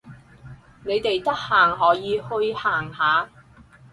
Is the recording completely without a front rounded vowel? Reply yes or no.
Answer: yes